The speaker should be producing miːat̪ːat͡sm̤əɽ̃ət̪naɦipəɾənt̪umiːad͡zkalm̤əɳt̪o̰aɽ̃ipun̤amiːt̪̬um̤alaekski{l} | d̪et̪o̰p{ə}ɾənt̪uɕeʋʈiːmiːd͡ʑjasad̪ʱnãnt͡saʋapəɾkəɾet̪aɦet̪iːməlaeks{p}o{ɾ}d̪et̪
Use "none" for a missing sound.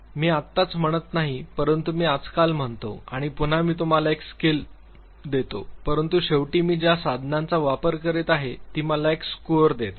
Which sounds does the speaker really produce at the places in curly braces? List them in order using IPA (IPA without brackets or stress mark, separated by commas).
l, ə, k, ɾ